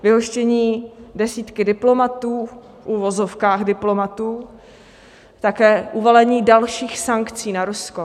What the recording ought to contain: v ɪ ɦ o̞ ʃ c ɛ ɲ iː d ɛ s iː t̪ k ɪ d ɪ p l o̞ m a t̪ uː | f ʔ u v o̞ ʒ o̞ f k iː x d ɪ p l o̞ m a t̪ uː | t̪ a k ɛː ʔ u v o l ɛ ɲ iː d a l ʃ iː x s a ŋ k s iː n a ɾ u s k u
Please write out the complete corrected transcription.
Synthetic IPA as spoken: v ɪ ɦ o̞ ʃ c ɛ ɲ iː d ɛ s iː t̪ k ɪ d ɪ p l o̞ m a t̪ uː | f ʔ u v o̞ z o̞ f k aː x d ɪ p l o̞ m a t̪ uː | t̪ a k ɛː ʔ u v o l ɛ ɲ iː d a l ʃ iː x s a ŋ k t͡s iː n a ɾ u s k o